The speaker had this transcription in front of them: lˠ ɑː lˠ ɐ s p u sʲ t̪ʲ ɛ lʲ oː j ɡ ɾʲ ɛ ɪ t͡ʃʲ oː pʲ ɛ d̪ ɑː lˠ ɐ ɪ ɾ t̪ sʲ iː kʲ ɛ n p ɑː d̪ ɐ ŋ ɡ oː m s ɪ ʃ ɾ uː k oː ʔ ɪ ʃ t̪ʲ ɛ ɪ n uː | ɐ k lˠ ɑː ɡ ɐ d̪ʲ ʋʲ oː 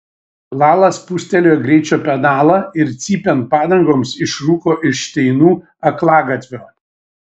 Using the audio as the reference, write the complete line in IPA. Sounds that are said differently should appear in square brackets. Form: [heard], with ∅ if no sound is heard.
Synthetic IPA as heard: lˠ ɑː lˠ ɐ s p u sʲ t̪ʲ ɛ lʲ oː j ɡ ɾʲ ɛ ɪ t͡ʃʲ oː pʲ ɛ d̪ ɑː lˠ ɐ ɪ ɾ t̪ sʲ iː [pʲ] ɛ n p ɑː d̪ ɐ ŋ ɡ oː m s ɪ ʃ ɾ uː k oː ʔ ɪ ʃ t̪ʲ ɛ ɪ n uː | ɐ k lˠ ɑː ɡ ɐ [t̪ʲ] ʋʲ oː